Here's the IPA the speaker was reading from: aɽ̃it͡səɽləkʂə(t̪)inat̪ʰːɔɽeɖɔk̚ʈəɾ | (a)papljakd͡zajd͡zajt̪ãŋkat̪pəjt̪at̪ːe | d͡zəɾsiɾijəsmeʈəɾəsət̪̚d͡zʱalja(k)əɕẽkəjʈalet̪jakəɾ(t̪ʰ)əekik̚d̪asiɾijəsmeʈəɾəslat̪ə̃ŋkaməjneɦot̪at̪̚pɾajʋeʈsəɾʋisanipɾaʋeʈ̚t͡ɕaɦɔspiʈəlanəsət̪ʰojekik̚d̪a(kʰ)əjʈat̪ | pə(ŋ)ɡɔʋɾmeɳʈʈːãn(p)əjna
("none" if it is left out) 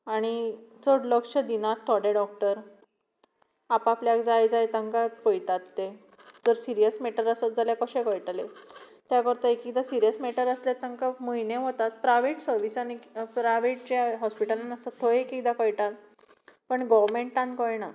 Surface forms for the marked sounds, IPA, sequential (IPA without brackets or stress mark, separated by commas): d̪, a, k, t̪, k, ɳ, k